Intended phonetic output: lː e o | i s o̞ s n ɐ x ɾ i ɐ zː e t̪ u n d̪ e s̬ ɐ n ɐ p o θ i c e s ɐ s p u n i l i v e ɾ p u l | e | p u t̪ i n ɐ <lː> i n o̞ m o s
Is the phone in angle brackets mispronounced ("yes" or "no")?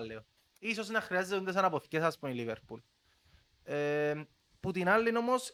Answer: no